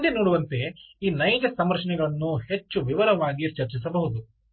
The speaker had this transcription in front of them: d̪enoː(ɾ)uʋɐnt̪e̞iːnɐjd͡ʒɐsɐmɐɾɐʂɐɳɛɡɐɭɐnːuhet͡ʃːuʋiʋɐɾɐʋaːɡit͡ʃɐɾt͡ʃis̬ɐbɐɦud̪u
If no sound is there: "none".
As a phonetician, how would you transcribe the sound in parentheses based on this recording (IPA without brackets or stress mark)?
ɽ